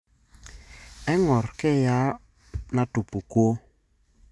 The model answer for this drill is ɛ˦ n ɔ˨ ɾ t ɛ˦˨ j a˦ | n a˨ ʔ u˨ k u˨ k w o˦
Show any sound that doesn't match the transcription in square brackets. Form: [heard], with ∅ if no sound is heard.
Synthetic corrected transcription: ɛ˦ [ŋ] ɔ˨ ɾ [k] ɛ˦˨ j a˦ | n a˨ [t] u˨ [p] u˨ k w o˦